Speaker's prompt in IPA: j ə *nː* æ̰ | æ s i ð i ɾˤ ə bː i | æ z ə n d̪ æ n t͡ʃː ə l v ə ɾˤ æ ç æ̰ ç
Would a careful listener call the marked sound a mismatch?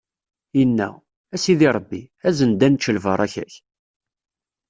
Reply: no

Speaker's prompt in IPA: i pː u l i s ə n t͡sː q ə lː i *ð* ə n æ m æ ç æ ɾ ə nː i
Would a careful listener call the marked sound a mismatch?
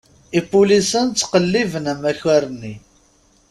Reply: yes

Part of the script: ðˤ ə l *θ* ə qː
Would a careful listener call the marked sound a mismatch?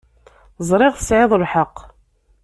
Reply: yes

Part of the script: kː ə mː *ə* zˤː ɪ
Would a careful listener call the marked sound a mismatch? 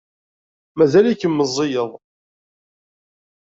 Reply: no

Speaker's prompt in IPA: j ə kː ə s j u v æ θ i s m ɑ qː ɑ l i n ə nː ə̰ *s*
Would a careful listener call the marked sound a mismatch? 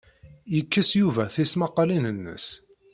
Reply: no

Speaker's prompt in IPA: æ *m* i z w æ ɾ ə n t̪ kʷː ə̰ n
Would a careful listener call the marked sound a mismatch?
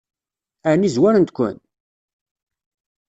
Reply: yes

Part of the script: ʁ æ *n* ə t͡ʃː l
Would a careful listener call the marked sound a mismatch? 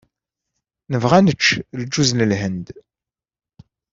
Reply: no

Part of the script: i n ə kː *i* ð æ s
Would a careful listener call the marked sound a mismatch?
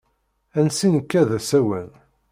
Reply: yes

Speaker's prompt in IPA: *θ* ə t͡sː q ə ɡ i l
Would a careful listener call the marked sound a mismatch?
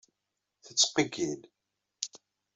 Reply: no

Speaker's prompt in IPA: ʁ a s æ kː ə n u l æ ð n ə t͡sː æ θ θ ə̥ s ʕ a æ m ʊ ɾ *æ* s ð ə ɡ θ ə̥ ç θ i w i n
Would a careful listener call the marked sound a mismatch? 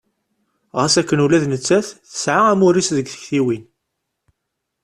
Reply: yes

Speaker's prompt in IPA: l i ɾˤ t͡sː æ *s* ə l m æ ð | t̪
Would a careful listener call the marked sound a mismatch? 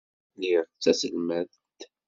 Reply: no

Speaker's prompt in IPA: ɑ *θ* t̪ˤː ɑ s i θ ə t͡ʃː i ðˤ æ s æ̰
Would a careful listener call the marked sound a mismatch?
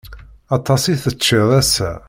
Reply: yes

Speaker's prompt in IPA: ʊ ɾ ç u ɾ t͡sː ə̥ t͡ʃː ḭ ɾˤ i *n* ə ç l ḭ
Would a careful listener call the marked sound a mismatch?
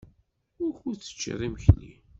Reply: yes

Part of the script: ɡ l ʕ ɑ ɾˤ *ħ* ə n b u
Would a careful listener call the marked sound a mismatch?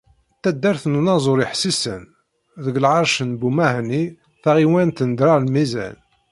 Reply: yes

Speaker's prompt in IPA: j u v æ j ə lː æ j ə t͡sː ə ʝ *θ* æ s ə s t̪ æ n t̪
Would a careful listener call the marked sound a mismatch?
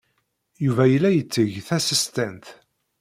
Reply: no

